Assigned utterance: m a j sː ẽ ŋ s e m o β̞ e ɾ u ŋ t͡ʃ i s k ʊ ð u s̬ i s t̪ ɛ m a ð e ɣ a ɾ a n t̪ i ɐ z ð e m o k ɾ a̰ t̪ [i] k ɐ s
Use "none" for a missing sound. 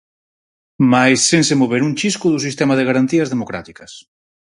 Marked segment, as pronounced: i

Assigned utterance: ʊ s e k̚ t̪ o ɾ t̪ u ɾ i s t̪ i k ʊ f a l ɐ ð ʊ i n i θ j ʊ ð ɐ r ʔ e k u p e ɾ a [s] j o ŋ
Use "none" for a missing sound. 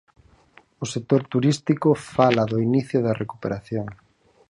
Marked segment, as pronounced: θ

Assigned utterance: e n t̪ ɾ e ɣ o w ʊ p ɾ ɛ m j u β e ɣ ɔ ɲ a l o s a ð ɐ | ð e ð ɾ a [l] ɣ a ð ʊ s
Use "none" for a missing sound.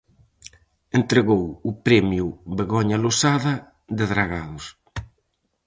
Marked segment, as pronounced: none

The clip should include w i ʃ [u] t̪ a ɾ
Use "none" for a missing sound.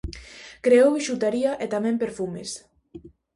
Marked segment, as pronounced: u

